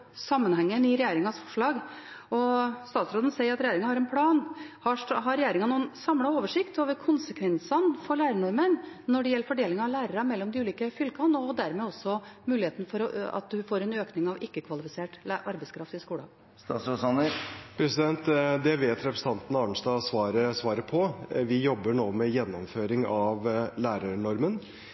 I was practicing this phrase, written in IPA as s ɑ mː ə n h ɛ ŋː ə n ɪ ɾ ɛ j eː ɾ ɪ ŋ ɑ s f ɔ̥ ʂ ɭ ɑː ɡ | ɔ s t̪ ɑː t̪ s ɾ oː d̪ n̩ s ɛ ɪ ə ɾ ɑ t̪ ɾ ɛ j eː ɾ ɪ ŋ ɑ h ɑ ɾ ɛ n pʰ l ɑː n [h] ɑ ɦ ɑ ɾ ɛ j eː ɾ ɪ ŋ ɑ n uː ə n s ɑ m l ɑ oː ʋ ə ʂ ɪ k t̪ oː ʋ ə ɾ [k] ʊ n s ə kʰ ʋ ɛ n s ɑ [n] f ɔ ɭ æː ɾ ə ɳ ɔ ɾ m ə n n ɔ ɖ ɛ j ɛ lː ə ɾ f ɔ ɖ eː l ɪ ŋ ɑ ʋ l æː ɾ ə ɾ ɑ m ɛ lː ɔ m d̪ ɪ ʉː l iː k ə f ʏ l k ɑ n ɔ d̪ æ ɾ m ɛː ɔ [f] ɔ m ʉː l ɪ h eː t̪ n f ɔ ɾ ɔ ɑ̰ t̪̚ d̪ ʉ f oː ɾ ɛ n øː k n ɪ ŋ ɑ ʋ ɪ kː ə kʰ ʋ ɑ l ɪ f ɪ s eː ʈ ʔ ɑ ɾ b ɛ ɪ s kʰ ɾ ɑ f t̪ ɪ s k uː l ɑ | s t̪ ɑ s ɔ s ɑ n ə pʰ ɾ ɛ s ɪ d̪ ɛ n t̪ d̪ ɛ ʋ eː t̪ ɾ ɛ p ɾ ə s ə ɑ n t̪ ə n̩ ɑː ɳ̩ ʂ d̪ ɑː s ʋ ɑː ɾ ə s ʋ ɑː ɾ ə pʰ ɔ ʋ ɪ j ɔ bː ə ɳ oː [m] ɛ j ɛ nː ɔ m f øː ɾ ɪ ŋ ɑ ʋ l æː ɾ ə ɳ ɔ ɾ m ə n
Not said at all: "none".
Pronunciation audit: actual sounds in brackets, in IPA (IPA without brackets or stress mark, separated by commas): h, kʰ, n, s, m